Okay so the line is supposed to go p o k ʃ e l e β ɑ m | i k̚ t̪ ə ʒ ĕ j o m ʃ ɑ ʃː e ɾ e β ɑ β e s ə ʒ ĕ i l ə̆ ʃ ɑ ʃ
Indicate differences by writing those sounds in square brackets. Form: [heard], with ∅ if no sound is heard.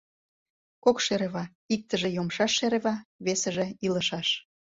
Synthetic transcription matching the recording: [k] o k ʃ e [ɾ] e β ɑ [∅] | i k̚ t̪ ə ʒ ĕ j o m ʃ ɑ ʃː e ɾ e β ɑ β e s ə ʒ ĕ i l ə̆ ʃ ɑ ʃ

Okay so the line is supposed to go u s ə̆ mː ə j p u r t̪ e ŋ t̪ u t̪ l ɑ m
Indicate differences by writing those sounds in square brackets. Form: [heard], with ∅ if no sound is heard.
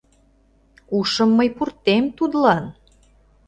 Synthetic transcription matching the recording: u [ʃ] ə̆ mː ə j p u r t̪ e [m] t̪ u [d̪] l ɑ [n]

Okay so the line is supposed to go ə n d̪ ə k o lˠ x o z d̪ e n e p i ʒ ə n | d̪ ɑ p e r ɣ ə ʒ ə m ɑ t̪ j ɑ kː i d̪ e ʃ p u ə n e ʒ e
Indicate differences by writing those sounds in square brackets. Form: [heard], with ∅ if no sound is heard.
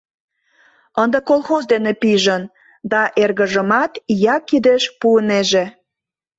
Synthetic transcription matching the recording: ə n d̪ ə k o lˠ x o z d̪ e n e p i ʒ ə n | d̪ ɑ [ʔ] e r ɣ ə ʒ ə m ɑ t̪ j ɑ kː i d̪ e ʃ p u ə n e ʒ e

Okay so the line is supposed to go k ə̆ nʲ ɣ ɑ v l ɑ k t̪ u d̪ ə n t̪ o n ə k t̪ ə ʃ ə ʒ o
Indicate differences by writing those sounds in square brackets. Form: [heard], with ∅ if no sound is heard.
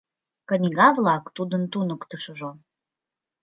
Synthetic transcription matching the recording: k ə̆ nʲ ɣ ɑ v l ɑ k t̪ u d̪ ə n t̪ [u] n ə k t̪ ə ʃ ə ʒ o

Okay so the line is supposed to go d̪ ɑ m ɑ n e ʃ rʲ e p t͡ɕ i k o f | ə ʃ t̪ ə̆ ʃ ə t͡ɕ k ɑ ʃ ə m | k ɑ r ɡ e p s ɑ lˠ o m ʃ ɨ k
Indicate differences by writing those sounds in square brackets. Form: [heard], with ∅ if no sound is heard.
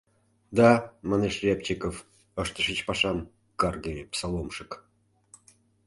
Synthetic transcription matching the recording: d̪ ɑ m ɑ n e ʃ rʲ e p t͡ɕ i k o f | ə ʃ t̪ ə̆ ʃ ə t͡ɕ [p] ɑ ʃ [ɑ] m | k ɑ r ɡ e p s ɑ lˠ o m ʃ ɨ k

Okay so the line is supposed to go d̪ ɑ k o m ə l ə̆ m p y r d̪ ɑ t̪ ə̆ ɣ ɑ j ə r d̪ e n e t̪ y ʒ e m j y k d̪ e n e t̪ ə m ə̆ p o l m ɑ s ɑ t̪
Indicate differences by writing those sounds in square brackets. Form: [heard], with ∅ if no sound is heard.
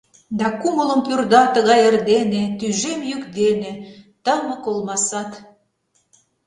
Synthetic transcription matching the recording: d̪ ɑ k [u] m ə l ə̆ m p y r d̪ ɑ t̪ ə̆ ɣ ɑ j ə r d̪ e n e t̪ y ʒ e m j y k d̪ e n e t̪ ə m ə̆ [k] o l m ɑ s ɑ t̪

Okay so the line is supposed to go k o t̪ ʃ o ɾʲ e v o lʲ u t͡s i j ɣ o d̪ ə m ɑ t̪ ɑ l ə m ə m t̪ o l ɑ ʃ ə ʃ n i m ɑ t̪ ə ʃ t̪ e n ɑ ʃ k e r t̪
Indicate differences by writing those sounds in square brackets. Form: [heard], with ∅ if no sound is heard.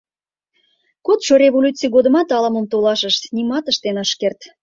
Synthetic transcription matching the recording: k o t̪ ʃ o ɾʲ e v o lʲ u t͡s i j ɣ o d̪ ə m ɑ t̪ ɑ l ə m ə m t̪ o l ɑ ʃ ə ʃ n i m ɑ t̪ ə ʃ t̪ e n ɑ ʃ k e r t̪

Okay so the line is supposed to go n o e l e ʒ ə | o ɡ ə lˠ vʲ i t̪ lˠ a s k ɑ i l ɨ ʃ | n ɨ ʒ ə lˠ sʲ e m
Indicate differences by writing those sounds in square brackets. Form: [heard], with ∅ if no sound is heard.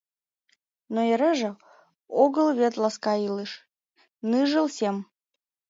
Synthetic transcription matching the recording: n o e [ɾ] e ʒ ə | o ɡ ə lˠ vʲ [e] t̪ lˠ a s k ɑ i l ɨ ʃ | n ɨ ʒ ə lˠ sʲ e m

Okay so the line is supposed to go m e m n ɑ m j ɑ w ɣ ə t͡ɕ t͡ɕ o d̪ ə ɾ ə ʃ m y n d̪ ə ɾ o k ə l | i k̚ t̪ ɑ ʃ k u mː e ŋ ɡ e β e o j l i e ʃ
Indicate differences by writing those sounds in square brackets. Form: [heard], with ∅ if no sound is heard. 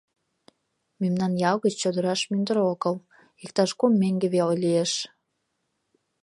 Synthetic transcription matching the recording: m e m n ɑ [n] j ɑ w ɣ ə t͡ɕ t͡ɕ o d̪ ə ɾ [ɑ] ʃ m y n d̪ ə ɾ o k ə l | i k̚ t̪ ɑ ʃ k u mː e ŋ ɡ e β e o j l i e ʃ

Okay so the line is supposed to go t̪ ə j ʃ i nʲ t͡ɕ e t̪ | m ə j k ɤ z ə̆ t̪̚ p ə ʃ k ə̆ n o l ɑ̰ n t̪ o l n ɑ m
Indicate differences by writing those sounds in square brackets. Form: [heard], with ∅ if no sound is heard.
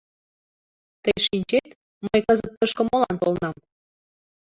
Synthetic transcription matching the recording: t̪ ə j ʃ i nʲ t͡ɕ e t̪ | m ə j k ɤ z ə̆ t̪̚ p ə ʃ k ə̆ [m] o l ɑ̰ n t̪ o l n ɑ m

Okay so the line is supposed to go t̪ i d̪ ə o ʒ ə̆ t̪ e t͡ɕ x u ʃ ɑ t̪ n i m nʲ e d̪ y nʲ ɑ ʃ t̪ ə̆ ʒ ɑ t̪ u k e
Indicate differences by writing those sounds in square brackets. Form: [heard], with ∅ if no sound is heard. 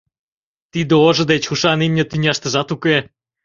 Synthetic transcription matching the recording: t̪ i d̪ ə o ʒ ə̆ [d̪] e t͡ɕ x u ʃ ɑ [∅] n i m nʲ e [t̪] y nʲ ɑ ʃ t̪ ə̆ ʒ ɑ t̪ u k e

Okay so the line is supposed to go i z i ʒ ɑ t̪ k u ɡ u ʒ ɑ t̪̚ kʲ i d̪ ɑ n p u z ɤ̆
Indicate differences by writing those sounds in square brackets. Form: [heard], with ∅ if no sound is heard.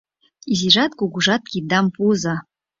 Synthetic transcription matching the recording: i z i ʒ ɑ t̪ k u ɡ u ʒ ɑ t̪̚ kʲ i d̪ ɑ [m] p u z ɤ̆

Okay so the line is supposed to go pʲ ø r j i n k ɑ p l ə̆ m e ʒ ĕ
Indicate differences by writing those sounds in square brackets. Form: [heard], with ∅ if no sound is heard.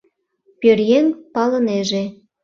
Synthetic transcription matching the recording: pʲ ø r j [e] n [p] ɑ [∅] l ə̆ [n] e ʒ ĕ

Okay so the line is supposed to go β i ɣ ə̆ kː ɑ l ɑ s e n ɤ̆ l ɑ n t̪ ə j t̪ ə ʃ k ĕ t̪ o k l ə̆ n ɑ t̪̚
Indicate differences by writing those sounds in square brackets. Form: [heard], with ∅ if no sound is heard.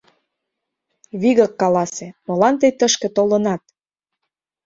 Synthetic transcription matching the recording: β i ɣ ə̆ kː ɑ l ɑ s e [m] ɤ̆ l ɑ n t̪ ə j t̪ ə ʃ k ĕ t̪ o [∅] l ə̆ n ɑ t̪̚

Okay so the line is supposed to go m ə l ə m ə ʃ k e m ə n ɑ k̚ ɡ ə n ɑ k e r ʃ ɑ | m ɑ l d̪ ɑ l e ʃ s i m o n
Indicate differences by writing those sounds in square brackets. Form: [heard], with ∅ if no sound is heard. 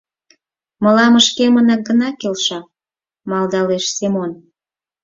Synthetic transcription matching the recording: m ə l [ɑ] m ə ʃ k e m ə n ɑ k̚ ɡ ə n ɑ k e [l] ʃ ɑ | m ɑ l d̪ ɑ l e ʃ s [e] m o n

